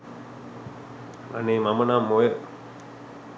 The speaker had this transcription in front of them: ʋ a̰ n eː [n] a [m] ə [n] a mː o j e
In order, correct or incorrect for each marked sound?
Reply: incorrect: m, correct, correct

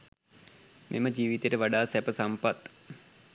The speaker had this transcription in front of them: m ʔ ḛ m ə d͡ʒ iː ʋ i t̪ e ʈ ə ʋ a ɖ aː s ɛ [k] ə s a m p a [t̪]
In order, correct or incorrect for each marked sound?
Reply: incorrect: p, correct

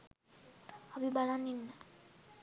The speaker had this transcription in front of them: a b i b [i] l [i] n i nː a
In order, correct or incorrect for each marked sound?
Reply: incorrect: a, incorrect: a

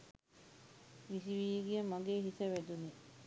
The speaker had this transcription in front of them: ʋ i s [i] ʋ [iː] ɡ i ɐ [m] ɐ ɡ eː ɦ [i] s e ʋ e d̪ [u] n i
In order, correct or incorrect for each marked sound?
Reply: correct, correct, correct, correct, correct

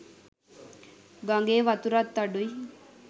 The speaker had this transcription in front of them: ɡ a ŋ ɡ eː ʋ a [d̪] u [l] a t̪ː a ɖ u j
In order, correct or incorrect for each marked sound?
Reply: incorrect: t̪, incorrect: ɾ

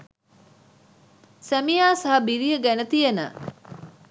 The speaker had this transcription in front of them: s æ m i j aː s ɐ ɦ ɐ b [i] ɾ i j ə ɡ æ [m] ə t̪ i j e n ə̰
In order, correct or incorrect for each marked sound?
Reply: correct, incorrect: n

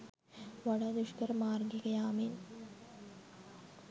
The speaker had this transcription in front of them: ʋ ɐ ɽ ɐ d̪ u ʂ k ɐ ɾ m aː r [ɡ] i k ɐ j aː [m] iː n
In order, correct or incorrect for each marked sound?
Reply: correct, correct

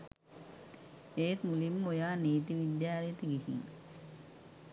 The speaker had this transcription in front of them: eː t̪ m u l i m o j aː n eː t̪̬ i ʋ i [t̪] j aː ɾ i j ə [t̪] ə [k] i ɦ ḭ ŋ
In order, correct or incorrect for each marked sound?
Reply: incorrect: d̪, correct, incorrect: ɡ

